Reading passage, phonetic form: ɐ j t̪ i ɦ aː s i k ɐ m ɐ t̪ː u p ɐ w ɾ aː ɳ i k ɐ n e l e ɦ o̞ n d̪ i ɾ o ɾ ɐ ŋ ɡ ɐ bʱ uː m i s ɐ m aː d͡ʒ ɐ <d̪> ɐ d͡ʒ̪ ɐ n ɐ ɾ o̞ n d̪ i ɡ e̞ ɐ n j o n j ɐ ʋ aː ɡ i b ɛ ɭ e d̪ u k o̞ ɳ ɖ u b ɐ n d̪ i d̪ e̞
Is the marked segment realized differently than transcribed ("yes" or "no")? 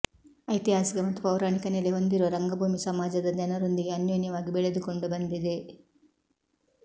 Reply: no